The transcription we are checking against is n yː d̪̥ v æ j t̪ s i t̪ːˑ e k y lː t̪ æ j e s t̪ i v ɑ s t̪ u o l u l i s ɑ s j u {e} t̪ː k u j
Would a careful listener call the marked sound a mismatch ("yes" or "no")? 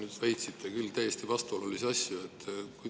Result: no